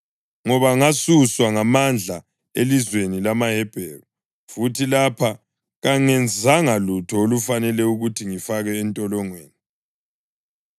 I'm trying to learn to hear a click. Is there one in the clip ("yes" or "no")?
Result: no